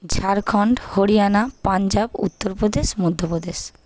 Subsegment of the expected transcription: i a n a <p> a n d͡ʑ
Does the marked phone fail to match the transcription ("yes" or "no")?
no